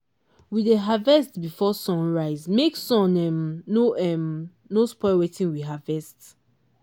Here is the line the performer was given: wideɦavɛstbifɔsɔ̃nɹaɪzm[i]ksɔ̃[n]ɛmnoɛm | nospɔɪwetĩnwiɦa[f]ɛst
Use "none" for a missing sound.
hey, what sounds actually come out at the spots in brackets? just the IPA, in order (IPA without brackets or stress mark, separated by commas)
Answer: e, n, v